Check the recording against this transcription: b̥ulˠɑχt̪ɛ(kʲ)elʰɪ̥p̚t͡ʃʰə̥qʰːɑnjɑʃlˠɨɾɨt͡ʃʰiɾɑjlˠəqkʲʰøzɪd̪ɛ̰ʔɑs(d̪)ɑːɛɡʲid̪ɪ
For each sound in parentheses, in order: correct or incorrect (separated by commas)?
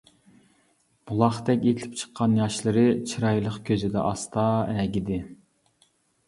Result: correct, incorrect